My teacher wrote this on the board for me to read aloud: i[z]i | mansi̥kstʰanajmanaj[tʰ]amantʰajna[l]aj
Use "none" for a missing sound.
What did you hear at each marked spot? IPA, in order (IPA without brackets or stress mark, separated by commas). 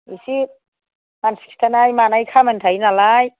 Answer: s, kʰ, l